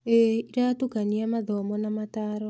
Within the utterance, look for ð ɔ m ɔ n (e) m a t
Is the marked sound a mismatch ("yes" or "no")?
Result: yes